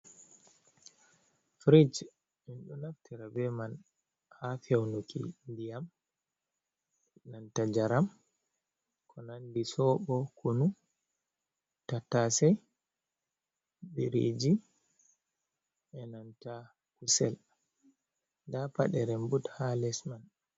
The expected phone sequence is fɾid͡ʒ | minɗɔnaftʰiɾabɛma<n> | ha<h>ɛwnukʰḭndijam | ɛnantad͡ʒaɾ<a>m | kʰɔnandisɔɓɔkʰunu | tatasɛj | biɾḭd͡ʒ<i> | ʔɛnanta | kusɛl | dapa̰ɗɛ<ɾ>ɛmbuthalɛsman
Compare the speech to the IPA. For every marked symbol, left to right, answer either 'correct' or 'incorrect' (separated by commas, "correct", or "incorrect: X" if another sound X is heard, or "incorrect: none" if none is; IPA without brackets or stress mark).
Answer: correct, incorrect: f, correct, correct, correct